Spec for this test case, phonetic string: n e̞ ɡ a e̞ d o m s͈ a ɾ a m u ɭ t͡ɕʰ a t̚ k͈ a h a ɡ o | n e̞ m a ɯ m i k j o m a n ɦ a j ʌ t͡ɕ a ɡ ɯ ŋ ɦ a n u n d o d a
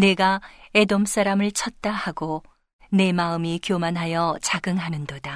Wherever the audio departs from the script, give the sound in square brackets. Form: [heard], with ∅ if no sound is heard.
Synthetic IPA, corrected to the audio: n e̞ ɡ a e̞ d o m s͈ a ɾ a m [ɯ] ɭ t͡ɕʰ [ʌ] t̚ [t͈] a h a ɡ o | n e̞ m a ɯ m i k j o m a n ɦ a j ʌ t͡ɕ a ɡ ɯ ŋ ɦ a n [ɯ] n d o d a